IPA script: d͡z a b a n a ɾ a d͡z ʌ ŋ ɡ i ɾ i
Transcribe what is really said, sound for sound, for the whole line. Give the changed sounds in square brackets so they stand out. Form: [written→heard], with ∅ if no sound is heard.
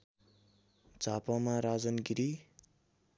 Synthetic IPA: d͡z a [b→p] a [n→m] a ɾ a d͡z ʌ [ŋ→n] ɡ i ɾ i

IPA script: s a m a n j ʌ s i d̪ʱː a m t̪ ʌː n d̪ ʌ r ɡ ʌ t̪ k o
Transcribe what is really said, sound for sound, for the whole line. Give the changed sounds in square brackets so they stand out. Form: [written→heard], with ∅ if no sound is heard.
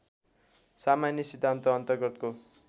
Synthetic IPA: s a m a n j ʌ s i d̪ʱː a [m→n] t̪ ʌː n [d̪→t̪] ʌ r ɡ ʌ t̪ k o

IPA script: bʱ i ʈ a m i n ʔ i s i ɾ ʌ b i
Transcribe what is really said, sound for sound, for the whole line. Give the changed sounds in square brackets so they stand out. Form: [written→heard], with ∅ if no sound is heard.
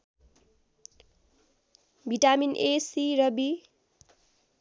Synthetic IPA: bʱ i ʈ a m i n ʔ [i→e] s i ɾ ʌ b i

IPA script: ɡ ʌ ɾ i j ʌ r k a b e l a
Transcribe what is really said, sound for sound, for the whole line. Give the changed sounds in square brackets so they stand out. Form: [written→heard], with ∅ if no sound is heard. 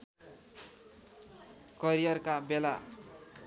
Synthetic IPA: [ɡ→k] ʌ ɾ i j ʌ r k a b e l a

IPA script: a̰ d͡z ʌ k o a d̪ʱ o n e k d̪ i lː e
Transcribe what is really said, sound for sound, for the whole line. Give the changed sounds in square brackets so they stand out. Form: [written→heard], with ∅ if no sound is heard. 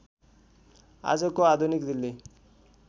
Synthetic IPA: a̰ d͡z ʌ k o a d̪ʱ [o→u] n [e→i] k d̪ i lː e

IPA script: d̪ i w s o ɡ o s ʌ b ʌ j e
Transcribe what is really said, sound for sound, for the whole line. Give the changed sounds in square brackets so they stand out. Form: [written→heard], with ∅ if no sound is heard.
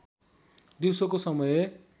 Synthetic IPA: d̪ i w s o [ɡ→k] o s ʌ [b→m] ʌ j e

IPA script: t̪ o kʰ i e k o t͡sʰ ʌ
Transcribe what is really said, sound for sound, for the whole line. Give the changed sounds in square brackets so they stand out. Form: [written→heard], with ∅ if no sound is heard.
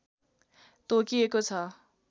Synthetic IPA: t̪ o [kʰ→k] i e k o t͡sʰ ʌ

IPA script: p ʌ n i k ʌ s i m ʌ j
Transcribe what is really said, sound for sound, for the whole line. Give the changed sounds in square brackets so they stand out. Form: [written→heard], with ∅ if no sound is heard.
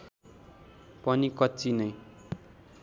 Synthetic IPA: p ʌ n i k ʌ [s→t͡s] i [m→n] ʌ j

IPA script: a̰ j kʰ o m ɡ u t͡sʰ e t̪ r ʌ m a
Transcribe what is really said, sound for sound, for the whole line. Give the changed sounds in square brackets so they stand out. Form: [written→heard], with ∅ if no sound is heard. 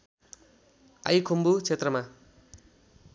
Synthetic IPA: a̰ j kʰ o m [ɡ→b] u t͡sʰ e t̪ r ʌ m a

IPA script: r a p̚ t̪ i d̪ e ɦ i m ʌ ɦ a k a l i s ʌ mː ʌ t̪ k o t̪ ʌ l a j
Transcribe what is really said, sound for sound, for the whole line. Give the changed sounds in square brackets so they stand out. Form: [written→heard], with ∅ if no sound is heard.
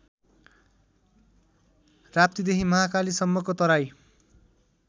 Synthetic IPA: r a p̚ t̪ i d̪ e ɦ i m ʌ ɦ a k a l i s ʌ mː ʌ [t̪→∅] k o t̪ ʌ [l→ɾ] a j

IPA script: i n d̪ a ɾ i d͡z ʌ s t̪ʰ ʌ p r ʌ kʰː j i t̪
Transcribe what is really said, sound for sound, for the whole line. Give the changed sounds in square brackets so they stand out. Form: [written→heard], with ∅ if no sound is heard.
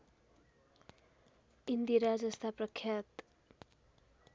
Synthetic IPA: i n d̪ [a→i] ɾ [i→a] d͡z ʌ s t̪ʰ [ʌ→a] p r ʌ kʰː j [i→a] t̪

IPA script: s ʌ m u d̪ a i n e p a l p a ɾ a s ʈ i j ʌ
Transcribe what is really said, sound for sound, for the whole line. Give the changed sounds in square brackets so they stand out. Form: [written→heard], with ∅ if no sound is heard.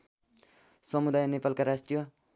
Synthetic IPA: s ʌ m u d̪ a [i→j] n e p a l [p→k] a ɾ a s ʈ i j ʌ

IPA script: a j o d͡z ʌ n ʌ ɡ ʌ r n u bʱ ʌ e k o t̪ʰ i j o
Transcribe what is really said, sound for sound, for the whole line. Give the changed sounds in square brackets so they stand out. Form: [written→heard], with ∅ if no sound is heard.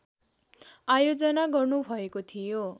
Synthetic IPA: a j o d͡z ʌ n [ʌ→a] ɡ ʌ r n u bʱ ʌ e k o t̪ʰ i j o

